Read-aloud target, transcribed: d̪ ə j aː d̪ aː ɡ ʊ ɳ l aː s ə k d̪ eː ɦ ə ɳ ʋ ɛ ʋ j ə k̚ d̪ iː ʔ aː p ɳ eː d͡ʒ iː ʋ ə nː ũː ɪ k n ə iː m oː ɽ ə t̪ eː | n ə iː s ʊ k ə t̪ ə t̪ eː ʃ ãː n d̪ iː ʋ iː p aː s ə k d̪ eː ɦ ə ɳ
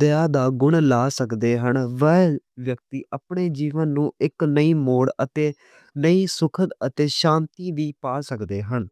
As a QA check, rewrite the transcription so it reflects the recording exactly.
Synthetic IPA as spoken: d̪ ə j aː d̪ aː ɡ ʊ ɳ l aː s ə k d̪ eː ɦ ə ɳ ʋ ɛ ʋ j ə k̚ t̪ iː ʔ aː p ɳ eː d͡ʒ iː ʋ ə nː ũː ɪ k n ə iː m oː ɽ ə t̪ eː | n ə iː s ʊ kʰ ə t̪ ə t̪ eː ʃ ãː n t̪ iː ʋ iː p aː s ə k d̪ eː ɦ ə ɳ